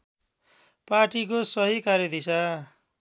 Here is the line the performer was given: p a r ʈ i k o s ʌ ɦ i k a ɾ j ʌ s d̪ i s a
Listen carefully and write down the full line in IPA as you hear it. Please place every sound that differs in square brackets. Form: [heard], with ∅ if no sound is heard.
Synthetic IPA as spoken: p a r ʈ i k o s ʌ ɦ i k a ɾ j ʌ [∅] d̪ i s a